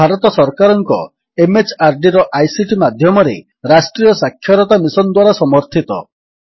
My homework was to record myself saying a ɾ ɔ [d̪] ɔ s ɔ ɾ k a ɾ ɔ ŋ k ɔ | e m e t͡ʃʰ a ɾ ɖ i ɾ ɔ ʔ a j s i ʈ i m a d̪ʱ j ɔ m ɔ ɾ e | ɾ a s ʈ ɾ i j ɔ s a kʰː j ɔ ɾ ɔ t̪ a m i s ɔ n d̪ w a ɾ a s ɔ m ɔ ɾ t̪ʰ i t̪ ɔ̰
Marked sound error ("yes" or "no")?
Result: yes